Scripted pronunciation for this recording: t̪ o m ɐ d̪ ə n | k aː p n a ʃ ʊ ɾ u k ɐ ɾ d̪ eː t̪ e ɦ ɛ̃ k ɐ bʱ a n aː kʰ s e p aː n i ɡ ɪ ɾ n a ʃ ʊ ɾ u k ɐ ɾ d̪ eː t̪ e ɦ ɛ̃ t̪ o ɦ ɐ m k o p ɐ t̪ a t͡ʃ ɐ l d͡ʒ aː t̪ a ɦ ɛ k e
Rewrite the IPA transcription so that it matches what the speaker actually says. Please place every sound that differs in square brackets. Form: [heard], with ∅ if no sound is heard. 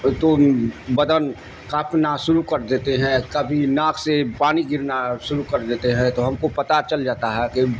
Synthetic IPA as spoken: t̪ o [b] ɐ d̪ ə n | k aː p n a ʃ ʊ ɾ u k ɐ ɾ d̪ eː t̪ e ɦ ɛ̃ k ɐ bʱ [i] n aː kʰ s e p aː n i ɡ ɪ ɾ n a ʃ ʊ ɾ u k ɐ ɾ d̪ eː t̪ e ɦ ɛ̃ t̪ o ɦ ɐ m k o p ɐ t̪ a t͡ʃ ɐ l d͡ʒ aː t̪ a ɦ ɛ k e